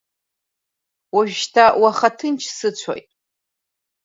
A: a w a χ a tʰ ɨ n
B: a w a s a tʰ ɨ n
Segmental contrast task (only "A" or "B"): A